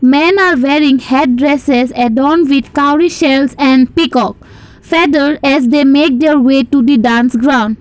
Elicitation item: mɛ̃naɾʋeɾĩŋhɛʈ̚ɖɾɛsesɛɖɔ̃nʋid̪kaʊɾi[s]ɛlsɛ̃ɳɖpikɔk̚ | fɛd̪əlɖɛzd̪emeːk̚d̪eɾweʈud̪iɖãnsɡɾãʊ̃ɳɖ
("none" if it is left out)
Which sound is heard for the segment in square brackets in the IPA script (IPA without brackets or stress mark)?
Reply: ʃ